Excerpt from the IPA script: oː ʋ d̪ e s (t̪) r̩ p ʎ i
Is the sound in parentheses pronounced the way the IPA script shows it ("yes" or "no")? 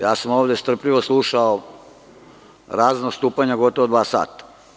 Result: yes